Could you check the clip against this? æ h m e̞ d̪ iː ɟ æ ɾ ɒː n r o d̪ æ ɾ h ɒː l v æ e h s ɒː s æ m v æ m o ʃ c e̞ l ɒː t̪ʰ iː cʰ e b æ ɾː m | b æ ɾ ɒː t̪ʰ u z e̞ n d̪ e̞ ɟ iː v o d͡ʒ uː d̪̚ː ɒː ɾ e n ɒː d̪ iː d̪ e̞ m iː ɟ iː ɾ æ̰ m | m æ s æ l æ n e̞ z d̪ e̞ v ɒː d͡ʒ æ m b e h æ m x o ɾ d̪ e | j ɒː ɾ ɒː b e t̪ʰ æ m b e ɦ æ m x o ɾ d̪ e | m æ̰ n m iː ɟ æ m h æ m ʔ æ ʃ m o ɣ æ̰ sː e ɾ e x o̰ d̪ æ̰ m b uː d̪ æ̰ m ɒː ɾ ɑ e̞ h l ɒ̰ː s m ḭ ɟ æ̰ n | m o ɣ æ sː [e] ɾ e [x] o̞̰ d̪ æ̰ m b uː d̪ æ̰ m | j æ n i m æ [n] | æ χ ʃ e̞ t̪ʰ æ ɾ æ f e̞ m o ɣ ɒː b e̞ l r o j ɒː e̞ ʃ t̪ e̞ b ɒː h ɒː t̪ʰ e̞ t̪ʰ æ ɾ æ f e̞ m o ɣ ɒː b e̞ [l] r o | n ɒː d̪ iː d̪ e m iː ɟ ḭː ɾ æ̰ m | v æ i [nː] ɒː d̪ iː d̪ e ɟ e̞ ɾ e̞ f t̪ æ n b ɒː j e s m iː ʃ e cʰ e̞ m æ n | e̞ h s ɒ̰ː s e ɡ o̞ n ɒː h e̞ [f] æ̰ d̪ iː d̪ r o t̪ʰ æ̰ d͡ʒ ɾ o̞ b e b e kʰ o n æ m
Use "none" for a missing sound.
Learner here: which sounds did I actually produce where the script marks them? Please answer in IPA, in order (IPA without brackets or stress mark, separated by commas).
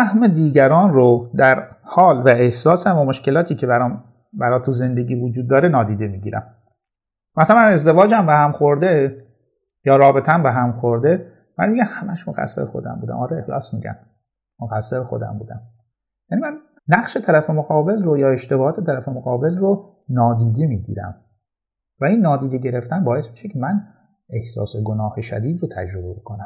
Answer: e, x, nː, l, nː, ʃ